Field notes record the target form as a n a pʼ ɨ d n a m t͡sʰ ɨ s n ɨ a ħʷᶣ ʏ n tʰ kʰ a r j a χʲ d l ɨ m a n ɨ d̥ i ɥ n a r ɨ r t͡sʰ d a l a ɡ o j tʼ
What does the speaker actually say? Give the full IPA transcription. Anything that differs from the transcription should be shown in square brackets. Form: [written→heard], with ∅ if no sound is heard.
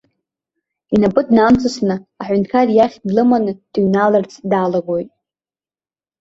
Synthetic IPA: [a→i] n a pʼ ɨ d n a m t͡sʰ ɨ s n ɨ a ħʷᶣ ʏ n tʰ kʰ a r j a χʲ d l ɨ m a n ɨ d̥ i ɥ n a [r→l] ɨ r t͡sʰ d a l a ɡ o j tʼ